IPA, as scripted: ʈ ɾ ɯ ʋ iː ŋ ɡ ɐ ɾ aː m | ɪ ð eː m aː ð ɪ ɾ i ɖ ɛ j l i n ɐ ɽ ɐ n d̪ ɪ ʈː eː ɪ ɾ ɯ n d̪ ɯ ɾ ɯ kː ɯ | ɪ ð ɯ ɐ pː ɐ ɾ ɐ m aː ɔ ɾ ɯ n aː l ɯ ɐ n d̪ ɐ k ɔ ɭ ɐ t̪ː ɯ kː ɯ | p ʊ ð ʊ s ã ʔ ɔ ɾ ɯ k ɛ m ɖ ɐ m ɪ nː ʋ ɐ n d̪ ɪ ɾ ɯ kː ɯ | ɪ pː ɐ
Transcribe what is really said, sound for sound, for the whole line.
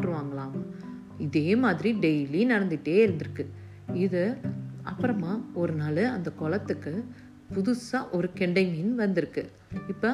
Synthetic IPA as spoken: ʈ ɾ ɯ ʋ aː ŋ ɡ ɐ ɭ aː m | ɪ ð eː m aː ð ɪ ɾ i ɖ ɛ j l i n ɐ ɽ ɐ n d̪ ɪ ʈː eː ɪ ɾ ɯ n d̪ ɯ ɾ ɯ kː ɯ | ɪ ð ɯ ɐ pː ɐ ɾ ɐ m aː ɔ ɾ ɯ n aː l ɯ ɐ n d̪ ɐ k ɔ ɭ ɐ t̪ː ɯ kː ɯ | p ʊ ð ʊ s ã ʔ ɔ ɾ ɯ k ɛ ɳ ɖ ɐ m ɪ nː ʋ ɐ n d̪ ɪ ɾ ɯ kː ɯ | ɪ pː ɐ